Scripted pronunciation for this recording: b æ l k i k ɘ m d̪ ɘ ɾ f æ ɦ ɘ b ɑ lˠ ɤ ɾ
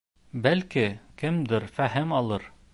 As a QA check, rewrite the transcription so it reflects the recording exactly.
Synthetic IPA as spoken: b æ l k i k ɘ m d̪ ɘ ɾ f æ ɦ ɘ m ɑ lˠ ɤ ɾ